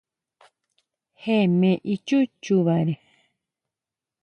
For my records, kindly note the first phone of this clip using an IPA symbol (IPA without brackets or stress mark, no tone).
h